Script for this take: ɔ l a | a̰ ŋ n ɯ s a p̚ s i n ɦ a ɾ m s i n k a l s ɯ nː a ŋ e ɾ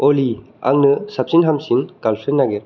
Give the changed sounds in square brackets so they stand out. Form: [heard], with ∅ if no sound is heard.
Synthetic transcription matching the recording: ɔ l [i] | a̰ ŋ n ɯ s a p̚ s i n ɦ a [∅] m s i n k a l s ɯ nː a [ɡ] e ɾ